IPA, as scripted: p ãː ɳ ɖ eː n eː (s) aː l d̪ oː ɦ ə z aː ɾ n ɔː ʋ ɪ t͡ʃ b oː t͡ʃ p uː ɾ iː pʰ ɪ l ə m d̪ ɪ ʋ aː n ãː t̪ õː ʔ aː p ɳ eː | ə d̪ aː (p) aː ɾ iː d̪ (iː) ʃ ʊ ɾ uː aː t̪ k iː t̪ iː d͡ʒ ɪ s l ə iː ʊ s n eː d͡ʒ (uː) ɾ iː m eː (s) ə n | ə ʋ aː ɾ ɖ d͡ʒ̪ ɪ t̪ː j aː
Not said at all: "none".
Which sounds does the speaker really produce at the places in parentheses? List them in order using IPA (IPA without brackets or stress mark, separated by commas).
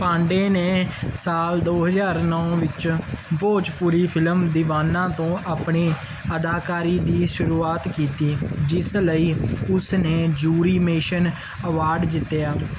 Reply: s, k, iː, uː, ʃ